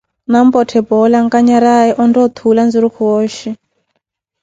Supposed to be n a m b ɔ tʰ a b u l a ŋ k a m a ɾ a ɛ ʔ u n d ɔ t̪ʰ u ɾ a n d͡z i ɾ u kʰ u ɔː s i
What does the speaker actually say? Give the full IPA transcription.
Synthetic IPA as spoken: n a m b ɔ tʰ ɛ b ɔ l a ŋ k a ɲ a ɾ a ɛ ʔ ɔ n d ɔ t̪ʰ u l a n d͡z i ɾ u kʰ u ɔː ʃ i